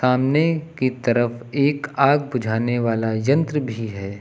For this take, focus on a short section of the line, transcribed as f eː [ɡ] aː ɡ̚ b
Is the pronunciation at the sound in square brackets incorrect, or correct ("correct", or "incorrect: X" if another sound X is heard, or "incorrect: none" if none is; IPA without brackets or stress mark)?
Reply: incorrect: k